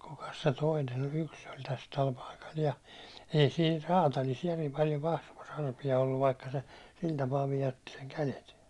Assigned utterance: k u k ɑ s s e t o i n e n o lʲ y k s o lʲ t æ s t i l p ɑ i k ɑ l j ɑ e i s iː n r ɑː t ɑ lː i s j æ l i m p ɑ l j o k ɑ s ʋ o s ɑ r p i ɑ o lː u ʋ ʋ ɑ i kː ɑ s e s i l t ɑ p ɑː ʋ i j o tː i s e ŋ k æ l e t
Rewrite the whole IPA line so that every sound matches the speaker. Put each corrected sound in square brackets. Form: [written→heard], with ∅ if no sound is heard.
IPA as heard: k u k ɑ s s e t o i n e n o lʲ y k s o lʲ t æ s t [i→æ] l p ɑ i k ɑ l j ɑ e i s iː n r ɑː t ɑ [lː→l] i s j æ [l→r] i m p ɑ l j o k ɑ s ʋ o s ɑ r p i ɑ o lː u ʋ ʋ ɑ i kː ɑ s e s i l t ɑ p ɑː ʋ i j o tː i s e ŋ k æ l e t